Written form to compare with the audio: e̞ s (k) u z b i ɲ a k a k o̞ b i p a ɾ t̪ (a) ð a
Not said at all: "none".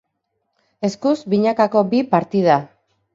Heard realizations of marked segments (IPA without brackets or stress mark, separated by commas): k, i